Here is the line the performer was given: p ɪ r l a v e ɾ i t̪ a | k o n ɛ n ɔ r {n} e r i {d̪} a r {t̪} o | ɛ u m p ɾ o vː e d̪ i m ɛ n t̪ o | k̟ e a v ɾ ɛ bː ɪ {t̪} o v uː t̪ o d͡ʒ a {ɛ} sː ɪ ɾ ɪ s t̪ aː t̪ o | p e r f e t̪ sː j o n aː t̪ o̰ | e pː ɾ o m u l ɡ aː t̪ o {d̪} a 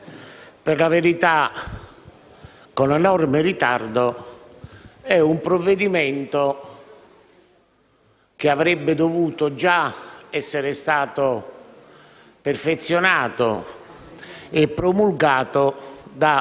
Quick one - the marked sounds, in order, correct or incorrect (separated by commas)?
incorrect, incorrect, incorrect, incorrect, correct, correct